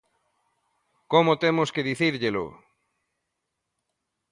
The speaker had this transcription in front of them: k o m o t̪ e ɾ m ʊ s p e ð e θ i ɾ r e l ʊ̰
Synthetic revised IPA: k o m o t̪ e m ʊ s k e ð i θ i ɾ ʎ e l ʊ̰

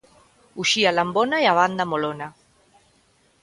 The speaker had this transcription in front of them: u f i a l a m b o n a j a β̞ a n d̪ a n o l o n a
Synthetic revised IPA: u ʃ i a l a m b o n a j a β̞ a n d̪ a m o l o n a

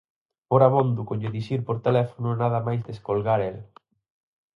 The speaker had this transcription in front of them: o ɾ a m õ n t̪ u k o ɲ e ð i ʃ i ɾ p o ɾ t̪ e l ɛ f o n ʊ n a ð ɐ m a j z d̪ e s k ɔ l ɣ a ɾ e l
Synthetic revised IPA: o ɾ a m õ n d̪ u k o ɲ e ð i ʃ i ɾ p o ɾ t̪ e l ɛ f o n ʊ n a ð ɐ m a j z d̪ e s k o l ɣ a ɾ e l

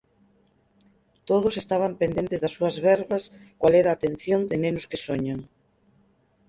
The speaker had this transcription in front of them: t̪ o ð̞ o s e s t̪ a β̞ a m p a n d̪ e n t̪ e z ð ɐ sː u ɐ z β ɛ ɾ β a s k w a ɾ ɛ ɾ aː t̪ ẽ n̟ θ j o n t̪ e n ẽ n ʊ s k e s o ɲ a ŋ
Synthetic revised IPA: t̪ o ð̞ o s e s t̪ a β̞ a m p e n d̪ e n t̪ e z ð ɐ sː u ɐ z β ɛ ɾ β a s k w a l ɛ ɾ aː t̪ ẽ n̟ θ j o n d̪ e n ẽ n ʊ s k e s o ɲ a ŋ

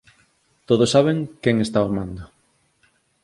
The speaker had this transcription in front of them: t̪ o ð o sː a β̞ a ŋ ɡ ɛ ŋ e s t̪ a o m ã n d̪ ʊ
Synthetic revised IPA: t̪ o ð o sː a β̞ e ŋ k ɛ ŋ e s t̪ a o m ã n d̪ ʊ

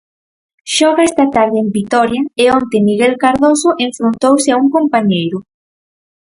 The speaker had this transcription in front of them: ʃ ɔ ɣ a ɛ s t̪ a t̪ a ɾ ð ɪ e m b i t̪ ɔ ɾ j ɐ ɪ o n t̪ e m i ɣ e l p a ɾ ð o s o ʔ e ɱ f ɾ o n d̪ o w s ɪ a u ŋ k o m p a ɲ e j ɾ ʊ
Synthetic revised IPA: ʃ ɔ ɣ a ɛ s t̪ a t̪ a ɾ ð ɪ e m b i t̪ ɔ ɾ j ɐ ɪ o n t̪ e m i ɣ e l k a ɾ ð o s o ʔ e ɱ f ɾ o n t̪ o w s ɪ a u ŋ k o m p a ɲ e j ɾ ʊ

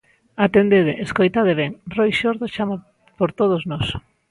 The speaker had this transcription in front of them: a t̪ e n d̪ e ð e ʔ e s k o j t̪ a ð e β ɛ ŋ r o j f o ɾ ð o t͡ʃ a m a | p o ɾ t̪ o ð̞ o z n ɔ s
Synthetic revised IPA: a t̪ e n d̪ e ð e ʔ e s k o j t̪ a ð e β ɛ ŋ r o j ʃ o ɾ ð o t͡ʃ a m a | p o ɾ t̪ o ð̞ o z n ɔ s

